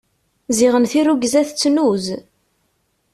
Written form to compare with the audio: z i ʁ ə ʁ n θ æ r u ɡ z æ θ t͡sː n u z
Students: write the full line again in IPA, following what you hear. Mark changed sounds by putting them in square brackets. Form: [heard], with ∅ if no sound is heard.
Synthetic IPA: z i ʁ ə [∅] n θ [i] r u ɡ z æ θ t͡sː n u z